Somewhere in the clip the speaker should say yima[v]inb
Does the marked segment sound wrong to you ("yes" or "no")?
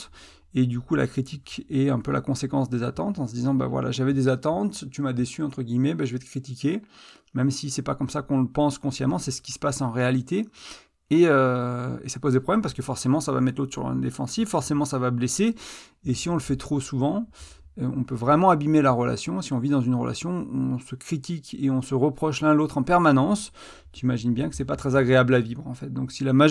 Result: yes